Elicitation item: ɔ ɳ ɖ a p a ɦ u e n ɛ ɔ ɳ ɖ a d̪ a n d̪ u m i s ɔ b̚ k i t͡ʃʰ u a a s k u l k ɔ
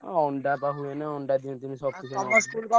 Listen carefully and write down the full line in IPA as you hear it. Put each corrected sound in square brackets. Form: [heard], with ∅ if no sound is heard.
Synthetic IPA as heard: ɔ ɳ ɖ a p a ɦ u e n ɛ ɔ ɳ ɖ a d̪ [i] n [t̪] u m i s ɔ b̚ k i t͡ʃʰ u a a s k u l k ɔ